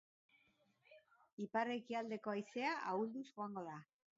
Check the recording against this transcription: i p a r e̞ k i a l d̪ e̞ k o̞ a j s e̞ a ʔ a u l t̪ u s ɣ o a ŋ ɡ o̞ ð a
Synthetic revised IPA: i p a r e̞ k i a l d̪ e̞ k o̞ a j s e̞ a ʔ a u l d̪ u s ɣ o a ŋ ɡ o̞ ð a